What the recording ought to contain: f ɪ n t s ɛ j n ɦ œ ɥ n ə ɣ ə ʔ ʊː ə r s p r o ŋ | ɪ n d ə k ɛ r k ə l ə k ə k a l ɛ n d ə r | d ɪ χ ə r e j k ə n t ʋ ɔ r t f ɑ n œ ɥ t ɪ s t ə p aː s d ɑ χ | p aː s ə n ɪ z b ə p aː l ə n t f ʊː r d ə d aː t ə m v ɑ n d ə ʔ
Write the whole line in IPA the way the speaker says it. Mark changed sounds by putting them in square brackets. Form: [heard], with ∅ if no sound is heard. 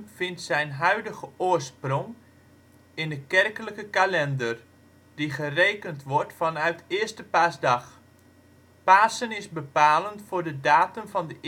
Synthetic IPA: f ɪ n t s ɛ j n ɦ œ ɥ [d] ə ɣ ə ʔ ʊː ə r s p r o ŋ | ɪ n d ə k ɛ r k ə l ə k ə k a l ɛ n d ə r | d [i] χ ə r e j k ə n t ʋ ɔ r t f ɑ n œ ɥ t ɪ s t ə p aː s d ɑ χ | p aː s ə n ɪ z b ə p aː l ə n t f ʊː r d ə d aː t ə m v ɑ n d ə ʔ